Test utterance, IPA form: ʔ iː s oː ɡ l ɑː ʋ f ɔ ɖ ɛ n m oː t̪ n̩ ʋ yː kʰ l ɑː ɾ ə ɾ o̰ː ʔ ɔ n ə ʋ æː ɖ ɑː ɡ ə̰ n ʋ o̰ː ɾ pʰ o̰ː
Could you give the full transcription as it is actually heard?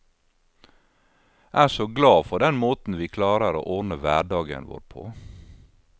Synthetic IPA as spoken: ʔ æː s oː ɡ l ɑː f ɔ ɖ ɛ n m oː t̪ n̩ ʋ iː kʰ l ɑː ɾ ə ɾ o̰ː ʔ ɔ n ə ʋ æː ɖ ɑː ɡ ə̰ n ʋ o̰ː ɾ pʰ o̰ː